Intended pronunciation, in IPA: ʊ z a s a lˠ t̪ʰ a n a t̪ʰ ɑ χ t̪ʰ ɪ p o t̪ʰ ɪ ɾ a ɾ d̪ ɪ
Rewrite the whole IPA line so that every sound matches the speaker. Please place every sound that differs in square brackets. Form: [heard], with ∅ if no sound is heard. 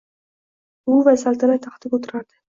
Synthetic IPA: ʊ [v] a s a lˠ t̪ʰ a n a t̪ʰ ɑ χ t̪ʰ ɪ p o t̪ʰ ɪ ɾ a ɾ d̪ ɪ